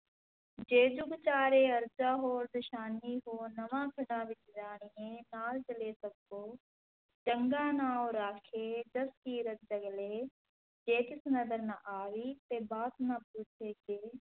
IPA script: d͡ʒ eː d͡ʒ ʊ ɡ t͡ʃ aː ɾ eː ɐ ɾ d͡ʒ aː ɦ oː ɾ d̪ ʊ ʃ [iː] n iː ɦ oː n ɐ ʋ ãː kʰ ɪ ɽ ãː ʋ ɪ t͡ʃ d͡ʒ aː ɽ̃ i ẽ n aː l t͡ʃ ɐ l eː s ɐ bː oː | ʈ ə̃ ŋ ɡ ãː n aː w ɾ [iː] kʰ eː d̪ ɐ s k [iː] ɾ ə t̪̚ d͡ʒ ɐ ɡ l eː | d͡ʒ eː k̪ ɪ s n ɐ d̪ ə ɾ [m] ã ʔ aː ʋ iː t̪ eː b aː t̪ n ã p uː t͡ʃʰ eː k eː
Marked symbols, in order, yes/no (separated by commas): no, no, yes, no